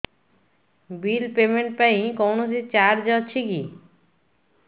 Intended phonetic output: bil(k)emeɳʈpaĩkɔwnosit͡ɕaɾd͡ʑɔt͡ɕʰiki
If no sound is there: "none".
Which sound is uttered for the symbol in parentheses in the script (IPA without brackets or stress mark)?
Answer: p